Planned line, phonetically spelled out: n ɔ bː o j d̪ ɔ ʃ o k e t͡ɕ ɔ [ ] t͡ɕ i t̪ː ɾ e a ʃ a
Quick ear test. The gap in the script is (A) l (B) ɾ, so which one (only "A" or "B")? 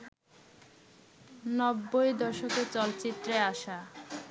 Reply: A